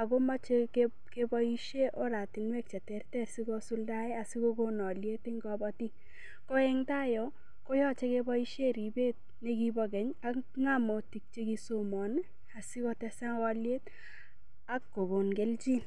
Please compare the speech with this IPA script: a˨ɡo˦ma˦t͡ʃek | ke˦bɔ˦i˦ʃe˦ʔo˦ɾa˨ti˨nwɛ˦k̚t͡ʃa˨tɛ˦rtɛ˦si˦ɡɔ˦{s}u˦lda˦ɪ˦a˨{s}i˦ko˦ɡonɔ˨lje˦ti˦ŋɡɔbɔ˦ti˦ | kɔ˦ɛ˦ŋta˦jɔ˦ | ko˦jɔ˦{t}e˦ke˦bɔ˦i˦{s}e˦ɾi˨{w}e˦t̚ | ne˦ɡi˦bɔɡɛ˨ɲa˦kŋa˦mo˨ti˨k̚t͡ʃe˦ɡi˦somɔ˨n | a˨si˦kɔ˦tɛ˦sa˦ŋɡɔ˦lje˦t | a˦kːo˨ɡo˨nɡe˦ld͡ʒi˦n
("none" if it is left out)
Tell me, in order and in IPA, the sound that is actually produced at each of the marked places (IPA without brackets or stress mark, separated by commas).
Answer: s, s, t͡ʃ, ʃ, b